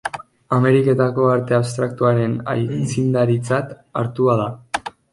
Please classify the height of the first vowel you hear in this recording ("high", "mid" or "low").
low